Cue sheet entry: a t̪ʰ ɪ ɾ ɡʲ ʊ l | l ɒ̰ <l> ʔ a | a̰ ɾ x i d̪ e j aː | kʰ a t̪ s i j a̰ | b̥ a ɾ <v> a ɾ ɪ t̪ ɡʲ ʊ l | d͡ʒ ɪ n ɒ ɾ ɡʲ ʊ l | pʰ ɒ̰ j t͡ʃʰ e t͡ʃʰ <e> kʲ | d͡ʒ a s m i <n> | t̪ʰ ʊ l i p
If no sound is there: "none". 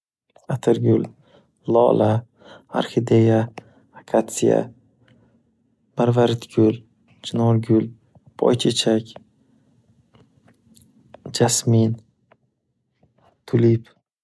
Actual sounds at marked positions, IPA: l, v, a, n

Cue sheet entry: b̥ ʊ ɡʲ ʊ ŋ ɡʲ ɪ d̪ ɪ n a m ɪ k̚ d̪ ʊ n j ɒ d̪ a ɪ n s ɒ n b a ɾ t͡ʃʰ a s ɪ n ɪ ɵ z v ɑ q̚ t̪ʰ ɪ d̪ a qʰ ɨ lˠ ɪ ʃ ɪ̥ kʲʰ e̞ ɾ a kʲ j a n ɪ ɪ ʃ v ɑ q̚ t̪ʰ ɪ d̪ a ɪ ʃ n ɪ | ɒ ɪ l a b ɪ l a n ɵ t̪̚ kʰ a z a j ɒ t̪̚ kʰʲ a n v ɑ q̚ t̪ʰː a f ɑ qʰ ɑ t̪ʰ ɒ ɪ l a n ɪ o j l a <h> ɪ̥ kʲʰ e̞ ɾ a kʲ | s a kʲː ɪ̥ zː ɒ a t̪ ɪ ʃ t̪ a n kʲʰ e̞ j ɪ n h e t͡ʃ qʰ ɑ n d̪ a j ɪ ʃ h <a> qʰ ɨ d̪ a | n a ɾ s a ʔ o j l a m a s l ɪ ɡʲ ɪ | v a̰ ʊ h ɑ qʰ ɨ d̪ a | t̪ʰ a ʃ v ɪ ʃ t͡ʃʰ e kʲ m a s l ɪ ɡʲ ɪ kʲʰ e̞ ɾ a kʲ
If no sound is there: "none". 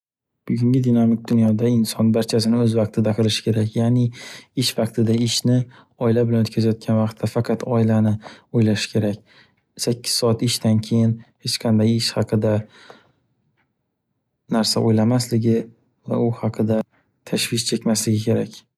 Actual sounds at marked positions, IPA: ʃ, ɑ

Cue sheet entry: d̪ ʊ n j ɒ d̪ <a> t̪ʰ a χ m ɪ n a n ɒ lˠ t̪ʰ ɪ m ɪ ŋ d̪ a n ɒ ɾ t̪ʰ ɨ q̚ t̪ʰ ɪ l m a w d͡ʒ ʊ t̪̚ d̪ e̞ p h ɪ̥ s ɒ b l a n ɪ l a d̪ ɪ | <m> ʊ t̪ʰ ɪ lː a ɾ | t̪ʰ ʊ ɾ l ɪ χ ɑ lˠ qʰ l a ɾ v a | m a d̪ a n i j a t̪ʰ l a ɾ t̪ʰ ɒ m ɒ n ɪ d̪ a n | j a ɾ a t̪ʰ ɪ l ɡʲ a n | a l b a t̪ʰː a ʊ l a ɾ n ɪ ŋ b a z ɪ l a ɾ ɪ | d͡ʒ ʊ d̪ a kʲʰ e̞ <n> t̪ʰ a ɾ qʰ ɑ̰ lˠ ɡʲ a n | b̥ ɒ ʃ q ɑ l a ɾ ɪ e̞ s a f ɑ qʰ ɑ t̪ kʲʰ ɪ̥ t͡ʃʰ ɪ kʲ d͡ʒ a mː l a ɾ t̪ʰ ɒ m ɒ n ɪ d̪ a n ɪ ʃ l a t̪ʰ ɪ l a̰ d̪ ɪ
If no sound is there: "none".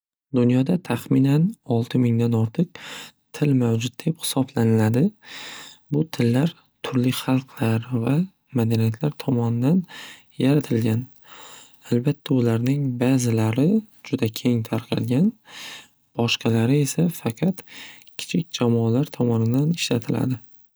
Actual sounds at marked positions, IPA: a, b, ŋ

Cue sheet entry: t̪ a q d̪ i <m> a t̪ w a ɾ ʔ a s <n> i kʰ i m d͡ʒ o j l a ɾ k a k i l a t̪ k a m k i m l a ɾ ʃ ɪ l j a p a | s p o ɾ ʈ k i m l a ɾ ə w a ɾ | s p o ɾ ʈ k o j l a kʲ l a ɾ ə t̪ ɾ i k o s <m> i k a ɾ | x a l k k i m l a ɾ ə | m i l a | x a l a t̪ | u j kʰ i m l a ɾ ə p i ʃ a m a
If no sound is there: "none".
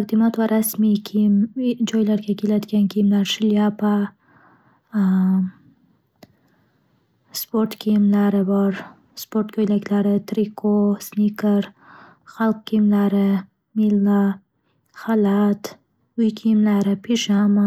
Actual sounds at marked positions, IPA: m, m, n

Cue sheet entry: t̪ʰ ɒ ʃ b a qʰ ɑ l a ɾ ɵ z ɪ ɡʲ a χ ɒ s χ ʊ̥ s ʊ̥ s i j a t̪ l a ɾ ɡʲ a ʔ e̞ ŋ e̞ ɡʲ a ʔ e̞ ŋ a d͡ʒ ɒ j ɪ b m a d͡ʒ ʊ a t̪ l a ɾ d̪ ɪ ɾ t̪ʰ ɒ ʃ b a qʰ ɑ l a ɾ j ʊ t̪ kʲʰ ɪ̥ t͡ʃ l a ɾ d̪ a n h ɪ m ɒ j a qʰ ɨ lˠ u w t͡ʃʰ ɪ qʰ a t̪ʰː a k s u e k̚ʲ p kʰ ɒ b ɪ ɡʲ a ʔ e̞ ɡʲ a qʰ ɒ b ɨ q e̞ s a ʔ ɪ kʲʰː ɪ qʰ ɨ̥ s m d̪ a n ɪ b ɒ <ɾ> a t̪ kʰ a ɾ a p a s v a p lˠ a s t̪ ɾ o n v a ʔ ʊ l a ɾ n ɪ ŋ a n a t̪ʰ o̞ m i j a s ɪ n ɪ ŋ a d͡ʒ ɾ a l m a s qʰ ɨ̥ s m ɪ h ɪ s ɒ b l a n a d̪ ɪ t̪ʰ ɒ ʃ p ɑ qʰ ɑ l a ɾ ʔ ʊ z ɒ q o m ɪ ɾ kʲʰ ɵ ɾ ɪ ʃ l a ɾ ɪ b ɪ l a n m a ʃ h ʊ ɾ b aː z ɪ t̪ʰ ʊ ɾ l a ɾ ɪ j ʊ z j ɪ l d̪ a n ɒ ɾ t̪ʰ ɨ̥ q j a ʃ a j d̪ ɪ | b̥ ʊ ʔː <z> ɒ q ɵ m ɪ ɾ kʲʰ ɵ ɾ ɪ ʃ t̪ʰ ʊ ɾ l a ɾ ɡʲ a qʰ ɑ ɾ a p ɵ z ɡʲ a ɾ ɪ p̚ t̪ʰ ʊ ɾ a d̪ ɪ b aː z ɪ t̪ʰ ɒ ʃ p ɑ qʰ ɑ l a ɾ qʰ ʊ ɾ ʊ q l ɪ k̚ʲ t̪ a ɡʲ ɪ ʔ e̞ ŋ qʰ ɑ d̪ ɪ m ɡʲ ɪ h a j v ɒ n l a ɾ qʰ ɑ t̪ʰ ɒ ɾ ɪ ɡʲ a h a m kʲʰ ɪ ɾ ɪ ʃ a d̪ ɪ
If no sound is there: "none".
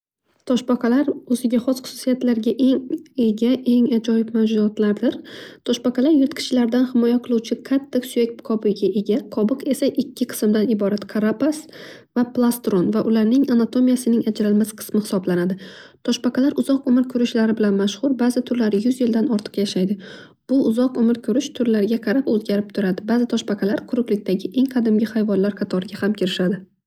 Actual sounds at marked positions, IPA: ɾ, z

